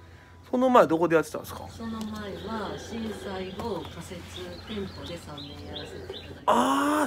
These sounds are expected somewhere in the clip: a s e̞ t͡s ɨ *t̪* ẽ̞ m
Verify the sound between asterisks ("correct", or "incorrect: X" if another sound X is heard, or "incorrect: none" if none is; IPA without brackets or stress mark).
correct